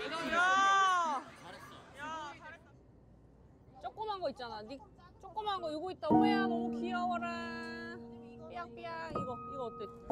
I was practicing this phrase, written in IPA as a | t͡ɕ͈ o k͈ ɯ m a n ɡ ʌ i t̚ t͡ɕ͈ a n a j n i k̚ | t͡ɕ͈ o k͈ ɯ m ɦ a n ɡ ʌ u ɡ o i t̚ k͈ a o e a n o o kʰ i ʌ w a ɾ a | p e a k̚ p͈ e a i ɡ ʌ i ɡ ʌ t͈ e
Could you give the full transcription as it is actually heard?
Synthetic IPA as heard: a | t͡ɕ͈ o k͈ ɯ m a n ɡ ʌ i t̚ t͡ɕ͈ a n a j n i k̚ | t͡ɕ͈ o k͈ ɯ m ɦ a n ɡ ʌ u ɡ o i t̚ t͈ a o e a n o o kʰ i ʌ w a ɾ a | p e a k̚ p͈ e a i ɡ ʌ i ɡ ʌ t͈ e